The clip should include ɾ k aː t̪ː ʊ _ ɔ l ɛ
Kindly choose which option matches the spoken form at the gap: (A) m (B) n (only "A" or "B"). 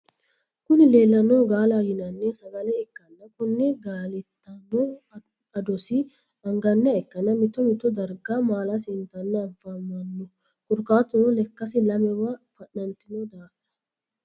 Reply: B